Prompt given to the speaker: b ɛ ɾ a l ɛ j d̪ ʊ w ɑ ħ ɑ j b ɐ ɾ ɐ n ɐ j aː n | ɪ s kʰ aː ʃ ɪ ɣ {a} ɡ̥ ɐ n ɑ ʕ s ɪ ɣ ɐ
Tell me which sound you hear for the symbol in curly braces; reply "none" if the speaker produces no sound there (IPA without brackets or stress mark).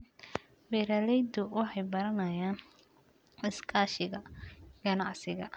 ɐ